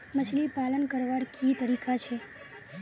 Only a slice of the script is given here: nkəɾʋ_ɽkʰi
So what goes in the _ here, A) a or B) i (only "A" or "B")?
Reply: A